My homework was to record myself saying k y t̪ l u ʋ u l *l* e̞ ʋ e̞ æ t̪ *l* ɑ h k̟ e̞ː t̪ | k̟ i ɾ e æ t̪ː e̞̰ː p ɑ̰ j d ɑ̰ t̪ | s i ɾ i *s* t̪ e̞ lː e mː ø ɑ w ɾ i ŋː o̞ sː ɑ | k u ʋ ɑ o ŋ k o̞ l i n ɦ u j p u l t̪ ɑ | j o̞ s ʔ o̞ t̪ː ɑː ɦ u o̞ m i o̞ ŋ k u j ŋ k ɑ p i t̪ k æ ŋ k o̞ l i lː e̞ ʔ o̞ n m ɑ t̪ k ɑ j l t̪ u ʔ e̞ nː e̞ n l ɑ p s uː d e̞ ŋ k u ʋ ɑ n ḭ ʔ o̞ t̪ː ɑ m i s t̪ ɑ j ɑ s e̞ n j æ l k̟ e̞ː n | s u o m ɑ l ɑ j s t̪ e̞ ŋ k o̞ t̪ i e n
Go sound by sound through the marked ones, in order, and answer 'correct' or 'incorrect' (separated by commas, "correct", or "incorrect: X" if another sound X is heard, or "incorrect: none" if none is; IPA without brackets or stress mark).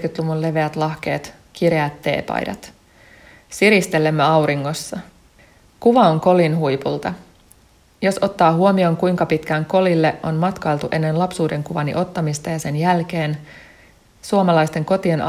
correct, correct, correct